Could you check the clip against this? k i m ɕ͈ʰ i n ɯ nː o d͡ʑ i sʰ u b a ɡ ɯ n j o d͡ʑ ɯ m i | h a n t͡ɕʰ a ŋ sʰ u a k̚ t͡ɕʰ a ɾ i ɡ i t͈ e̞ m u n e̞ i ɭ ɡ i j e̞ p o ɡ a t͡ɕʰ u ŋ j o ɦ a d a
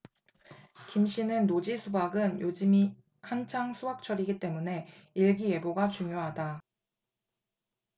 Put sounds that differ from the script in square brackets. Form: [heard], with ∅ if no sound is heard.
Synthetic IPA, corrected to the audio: k i m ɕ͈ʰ i n ɯ nː o d͡ʑ i sʰ u b a ɡ ɯ n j o d͡ʑ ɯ m i | h a n t͡ɕʰ a ŋ sʰ u a k̚ t͡ɕʰ [ʌ] ɾ i ɡ i t͈ e̞ m u n e̞ i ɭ ɡ i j e̞ [b] o ɡ a [t͡ɕ] u ŋ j o ɦ a d a